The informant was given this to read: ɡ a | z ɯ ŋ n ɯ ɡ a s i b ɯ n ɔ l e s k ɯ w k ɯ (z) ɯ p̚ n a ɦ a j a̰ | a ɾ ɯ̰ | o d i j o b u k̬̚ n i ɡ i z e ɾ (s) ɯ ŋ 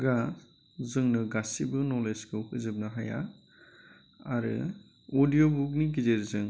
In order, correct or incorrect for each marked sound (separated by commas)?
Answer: correct, incorrect